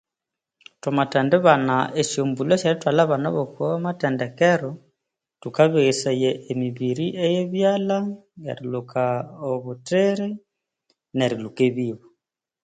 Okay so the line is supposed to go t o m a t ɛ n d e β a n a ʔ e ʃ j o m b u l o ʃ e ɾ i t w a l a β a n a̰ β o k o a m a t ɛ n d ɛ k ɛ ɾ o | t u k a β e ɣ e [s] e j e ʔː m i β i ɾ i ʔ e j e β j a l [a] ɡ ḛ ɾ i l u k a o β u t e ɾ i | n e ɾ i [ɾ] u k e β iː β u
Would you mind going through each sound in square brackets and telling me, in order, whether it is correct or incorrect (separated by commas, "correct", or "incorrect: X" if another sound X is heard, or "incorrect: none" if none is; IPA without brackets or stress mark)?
correct, correct, incorrect: l